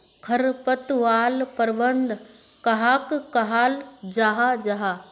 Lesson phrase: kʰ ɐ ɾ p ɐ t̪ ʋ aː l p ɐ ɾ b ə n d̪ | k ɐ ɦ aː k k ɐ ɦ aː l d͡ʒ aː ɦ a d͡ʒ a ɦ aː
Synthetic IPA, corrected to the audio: kʰ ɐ ɾ p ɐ t̪ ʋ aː l p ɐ ɾ b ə n d̪ | k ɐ ɦ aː k k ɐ ɦ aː l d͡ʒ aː ɦ a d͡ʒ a ɦ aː

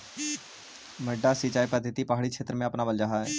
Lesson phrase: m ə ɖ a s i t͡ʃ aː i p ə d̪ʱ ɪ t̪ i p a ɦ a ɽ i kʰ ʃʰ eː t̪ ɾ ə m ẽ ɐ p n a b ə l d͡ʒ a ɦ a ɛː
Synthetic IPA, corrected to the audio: m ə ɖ a s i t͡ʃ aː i p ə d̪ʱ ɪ t̪ i p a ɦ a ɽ i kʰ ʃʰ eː t̪ ɾ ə m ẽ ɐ p n a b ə l d͡ʒ a ɦ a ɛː

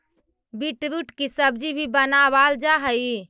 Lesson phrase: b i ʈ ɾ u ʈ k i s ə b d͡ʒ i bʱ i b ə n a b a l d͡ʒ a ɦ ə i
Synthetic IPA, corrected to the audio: b i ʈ ɾ u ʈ k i s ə b d͡ʒ i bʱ i b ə n a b a l d͡ʒ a ɦ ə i

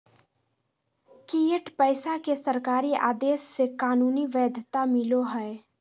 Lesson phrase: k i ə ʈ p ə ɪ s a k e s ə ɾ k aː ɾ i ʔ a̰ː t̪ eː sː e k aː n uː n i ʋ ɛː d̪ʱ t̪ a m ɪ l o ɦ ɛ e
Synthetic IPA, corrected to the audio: k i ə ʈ p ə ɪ s a k e s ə ɾ k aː ɾ i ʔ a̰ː d̪ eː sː e k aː n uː n i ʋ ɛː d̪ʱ t̪ a m ɪ l o ɦ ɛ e

